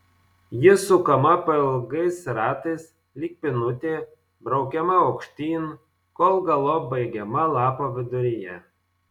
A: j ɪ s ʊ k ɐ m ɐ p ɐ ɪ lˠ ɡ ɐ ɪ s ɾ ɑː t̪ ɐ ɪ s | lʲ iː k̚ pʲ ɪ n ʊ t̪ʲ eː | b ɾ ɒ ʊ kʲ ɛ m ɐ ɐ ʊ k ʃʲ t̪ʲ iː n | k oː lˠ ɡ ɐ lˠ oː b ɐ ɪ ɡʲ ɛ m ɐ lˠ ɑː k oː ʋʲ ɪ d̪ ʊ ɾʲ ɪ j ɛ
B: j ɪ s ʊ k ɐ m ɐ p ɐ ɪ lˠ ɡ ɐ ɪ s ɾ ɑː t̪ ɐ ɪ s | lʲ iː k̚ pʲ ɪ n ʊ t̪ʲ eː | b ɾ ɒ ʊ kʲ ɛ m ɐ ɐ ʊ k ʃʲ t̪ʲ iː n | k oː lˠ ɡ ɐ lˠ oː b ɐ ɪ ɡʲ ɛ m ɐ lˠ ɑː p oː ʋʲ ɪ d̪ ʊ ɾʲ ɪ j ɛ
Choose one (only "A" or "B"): B